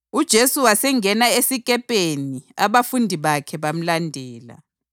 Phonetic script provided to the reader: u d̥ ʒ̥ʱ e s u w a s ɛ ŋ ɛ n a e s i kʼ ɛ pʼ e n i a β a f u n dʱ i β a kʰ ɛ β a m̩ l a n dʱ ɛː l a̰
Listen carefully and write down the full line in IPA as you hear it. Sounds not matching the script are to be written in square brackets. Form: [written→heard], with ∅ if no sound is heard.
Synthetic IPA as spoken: u d̥ ʒ̥ʱ e s u w a s ɛ ŋ ɛ n a e s i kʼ ɛ pʼ e n i a β a f u n dʱ i β a kʰ ɛ β a m̩ l a n dʱ ɛː l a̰